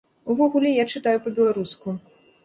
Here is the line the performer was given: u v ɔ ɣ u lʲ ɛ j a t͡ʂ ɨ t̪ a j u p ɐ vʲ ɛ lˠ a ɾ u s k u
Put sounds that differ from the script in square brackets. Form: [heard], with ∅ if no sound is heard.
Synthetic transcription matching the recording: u v ɔ ɣ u lʲ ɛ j a t͡ʂ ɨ t̪ a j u p ɐ [bʲ] ɛ lˠ a ɾ u s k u